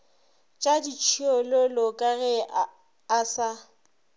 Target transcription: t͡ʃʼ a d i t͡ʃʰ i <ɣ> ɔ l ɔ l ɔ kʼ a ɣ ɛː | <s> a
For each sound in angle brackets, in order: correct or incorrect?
incorrect: none, correct

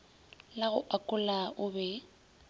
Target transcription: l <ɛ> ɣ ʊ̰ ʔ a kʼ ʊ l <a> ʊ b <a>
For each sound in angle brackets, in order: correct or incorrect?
incorrect: a, correct, incorrect: ɛ

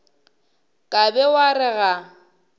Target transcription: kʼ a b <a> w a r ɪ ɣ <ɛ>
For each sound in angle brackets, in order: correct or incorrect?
incorrect: ɛ, incorrect: a

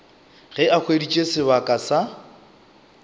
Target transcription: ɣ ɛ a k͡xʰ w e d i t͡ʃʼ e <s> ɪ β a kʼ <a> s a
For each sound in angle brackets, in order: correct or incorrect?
correct, correct

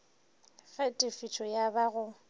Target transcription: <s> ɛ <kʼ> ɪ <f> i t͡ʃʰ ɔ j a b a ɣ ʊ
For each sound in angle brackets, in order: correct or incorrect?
incorrect: f, incorrect: tʼ, correct

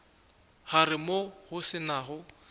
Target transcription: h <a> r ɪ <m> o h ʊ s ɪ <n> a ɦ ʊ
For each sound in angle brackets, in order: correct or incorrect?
correct, correct, correct

